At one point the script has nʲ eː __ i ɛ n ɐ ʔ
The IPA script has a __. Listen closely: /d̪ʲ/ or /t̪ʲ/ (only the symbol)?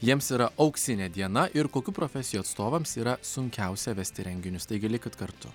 d̪ʲ